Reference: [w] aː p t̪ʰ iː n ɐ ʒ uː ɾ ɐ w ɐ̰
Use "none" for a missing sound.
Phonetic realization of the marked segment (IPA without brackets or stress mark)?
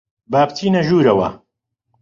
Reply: b